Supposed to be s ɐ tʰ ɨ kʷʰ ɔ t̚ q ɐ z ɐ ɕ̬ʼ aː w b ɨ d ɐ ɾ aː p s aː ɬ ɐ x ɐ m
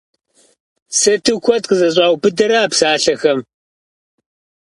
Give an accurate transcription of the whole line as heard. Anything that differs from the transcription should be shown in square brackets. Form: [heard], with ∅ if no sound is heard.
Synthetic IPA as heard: s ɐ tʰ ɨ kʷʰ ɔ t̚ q [ə] z ɐ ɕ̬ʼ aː w b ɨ d ɐ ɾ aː p s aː ɬ ɐ x ɐ m